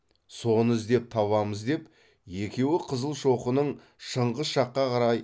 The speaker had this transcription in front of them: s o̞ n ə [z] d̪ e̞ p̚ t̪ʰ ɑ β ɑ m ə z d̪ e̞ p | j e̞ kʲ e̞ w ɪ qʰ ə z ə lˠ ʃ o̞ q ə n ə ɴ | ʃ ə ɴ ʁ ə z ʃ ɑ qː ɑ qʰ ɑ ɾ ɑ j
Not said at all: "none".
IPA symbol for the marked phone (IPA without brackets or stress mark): z